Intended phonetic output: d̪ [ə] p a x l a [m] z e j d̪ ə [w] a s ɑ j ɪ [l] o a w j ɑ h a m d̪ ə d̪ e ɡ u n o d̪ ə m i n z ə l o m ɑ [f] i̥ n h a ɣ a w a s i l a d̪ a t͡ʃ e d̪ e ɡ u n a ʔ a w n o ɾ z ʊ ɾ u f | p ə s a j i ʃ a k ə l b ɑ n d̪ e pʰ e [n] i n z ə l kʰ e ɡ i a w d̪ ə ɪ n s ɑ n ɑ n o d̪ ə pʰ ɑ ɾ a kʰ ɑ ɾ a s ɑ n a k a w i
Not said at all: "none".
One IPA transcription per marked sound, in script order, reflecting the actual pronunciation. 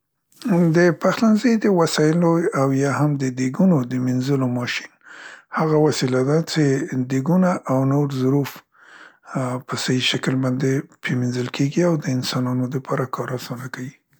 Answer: ə, n, w, l, ʃ, m

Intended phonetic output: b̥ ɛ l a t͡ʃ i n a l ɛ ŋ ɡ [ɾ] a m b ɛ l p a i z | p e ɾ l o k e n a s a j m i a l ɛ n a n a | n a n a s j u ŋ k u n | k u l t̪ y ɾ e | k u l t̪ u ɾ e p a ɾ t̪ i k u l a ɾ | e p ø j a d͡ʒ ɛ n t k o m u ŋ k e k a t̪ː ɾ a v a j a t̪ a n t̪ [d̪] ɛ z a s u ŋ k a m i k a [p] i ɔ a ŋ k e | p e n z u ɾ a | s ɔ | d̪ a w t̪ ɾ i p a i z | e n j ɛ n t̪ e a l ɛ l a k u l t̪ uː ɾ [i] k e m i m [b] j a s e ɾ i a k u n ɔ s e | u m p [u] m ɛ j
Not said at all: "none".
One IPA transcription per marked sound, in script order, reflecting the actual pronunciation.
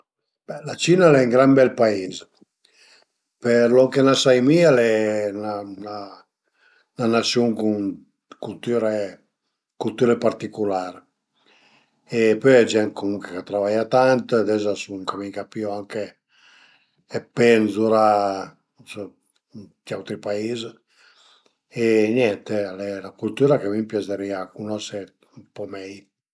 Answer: ɾ, d̪, p, a, p, ɔ

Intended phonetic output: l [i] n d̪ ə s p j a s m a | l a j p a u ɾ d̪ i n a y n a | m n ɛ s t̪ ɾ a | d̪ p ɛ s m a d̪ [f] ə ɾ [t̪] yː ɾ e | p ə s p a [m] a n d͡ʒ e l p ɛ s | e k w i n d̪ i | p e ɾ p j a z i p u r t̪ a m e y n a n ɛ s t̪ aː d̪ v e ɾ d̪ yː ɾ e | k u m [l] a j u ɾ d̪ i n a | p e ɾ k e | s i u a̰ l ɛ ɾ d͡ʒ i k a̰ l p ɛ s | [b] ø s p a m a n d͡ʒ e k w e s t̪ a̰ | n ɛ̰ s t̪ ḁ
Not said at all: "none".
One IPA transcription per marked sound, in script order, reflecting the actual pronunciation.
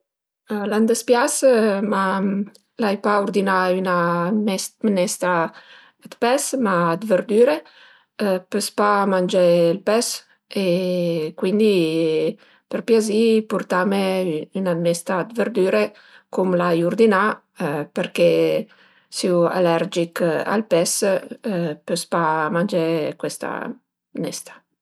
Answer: a, v, d̪, m, l, p

